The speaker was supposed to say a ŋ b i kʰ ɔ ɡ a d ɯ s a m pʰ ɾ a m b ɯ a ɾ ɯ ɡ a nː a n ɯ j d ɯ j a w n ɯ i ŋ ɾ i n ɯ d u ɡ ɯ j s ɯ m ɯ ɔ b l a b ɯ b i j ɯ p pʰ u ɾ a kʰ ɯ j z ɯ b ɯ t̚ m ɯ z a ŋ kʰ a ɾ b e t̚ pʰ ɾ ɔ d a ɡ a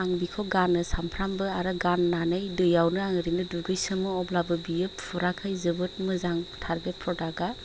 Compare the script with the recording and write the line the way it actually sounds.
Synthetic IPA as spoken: a ŋ b i kʰ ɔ ɡ a n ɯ s a m pʰ ɾ a m b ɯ a ɾ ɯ ɡ a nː a n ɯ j d ɯ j a w n ɯ a ŋ ɾ i n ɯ d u ɡ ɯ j s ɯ m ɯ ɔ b l a b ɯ b i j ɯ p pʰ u ɾ a kʰ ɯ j z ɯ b ɯ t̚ m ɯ z a ŋ tʰ a ɾ b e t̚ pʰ ɾ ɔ d a ɡ a